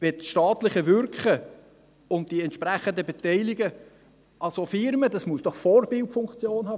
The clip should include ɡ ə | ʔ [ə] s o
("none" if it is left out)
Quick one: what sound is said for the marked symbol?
ɑ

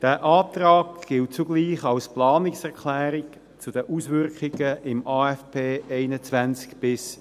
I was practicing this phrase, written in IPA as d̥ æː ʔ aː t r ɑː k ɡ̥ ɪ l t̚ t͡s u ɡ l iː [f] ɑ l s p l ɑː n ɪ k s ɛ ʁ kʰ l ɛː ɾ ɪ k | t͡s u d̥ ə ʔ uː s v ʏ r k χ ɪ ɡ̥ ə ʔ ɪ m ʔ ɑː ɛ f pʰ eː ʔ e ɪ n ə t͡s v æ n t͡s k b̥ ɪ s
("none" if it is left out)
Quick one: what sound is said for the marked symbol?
χ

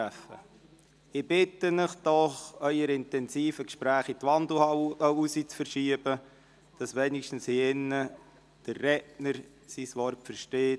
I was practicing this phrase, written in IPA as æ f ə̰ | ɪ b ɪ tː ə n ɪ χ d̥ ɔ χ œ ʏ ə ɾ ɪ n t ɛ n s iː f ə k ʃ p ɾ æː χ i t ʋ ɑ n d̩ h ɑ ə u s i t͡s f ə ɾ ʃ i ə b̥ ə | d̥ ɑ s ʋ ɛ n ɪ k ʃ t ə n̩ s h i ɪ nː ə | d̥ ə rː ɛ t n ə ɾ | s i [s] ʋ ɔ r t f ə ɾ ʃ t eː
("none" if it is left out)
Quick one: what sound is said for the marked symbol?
s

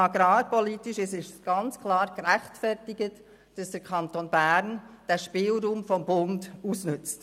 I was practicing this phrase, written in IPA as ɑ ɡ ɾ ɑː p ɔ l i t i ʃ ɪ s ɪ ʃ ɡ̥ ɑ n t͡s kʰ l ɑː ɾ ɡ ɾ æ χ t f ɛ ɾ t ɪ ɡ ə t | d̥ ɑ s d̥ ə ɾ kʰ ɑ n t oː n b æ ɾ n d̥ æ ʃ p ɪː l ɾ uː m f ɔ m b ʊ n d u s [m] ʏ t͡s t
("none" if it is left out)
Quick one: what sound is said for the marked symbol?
n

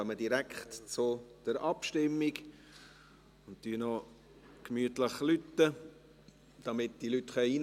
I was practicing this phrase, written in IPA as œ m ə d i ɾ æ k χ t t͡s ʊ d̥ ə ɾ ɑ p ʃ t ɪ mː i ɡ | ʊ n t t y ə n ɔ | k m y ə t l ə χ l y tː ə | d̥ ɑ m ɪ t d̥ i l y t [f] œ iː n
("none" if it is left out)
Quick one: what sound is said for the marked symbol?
χ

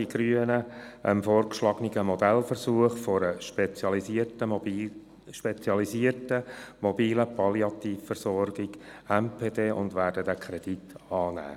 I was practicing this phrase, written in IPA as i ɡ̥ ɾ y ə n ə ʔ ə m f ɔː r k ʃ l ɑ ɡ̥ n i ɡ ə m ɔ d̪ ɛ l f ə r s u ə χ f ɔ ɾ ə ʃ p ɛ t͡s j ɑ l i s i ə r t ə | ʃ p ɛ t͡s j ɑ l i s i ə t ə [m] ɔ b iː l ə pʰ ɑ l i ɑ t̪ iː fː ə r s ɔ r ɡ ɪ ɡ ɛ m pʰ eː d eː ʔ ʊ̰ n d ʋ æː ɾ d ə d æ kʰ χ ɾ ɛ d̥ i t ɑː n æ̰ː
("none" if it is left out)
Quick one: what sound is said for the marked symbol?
m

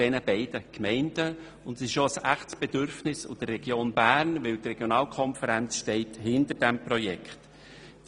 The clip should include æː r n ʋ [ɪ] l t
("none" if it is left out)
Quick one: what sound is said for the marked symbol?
ɪ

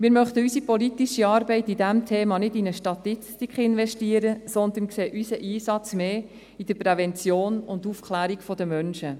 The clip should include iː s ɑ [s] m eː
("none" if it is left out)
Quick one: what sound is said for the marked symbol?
t͡s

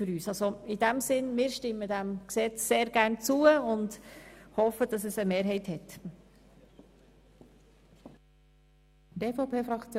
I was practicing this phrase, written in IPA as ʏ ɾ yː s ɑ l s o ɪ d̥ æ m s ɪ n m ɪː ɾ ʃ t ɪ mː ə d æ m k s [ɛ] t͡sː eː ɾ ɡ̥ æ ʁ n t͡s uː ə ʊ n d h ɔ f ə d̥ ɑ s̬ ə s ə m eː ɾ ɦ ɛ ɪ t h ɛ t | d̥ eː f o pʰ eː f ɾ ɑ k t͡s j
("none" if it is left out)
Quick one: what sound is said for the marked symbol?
ɛ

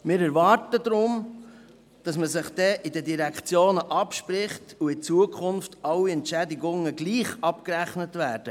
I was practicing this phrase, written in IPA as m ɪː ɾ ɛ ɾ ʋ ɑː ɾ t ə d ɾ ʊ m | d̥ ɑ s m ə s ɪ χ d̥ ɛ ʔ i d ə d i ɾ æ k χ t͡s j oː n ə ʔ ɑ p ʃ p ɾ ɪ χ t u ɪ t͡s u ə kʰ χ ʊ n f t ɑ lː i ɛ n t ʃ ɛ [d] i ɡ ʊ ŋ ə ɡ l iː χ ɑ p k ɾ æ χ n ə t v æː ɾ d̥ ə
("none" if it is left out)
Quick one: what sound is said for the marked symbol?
d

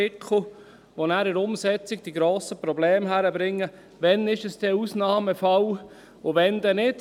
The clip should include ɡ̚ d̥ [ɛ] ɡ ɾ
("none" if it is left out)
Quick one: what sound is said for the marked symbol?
i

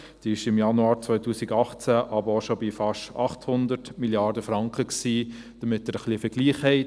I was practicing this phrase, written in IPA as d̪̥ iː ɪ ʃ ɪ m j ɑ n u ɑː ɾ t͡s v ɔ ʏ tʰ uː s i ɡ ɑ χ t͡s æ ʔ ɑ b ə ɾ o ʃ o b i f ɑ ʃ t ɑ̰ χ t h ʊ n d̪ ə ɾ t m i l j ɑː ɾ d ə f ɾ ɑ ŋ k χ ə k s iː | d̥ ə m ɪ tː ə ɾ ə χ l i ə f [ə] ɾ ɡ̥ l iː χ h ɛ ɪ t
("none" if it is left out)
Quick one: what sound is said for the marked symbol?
ə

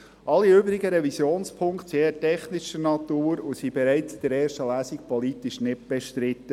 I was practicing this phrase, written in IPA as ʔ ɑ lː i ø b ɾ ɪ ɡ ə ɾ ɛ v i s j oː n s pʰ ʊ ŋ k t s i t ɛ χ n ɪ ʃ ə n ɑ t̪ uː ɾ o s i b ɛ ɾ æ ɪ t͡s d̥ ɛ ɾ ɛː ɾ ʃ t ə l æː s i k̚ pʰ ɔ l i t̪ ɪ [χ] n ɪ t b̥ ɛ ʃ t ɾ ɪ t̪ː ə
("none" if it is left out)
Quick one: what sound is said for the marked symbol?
ʃ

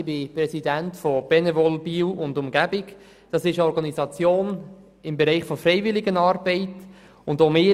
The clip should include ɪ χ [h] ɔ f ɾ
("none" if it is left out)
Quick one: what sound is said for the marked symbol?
f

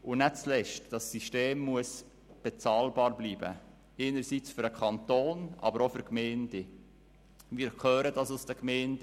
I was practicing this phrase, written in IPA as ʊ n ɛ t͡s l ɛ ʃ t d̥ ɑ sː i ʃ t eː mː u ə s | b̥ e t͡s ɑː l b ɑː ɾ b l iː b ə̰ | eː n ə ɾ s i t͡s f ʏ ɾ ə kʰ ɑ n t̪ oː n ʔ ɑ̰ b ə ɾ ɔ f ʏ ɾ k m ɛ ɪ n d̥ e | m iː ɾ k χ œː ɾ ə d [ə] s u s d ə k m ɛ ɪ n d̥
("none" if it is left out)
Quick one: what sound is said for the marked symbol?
ɑ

